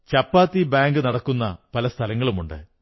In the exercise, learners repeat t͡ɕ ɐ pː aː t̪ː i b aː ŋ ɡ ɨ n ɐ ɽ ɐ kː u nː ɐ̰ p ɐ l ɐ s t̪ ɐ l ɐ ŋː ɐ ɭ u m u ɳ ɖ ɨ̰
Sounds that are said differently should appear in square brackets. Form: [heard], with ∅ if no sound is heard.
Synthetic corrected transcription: t͡ɕ ɐ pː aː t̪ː i b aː ŋ ɡ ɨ n ɐ ɽ ɐ kː u nː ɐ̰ p ɐ l ɐ s [t̪ʰ] ɐ l ɐ ŋː ɐ ɭ u m u ɳ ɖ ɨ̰